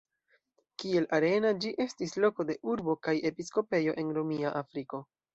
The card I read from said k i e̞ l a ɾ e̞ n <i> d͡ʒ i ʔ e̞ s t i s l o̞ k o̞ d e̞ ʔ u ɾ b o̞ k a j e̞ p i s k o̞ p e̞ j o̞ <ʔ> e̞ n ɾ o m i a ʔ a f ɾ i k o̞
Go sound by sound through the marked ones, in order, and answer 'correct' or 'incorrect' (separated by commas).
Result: incorrect, correct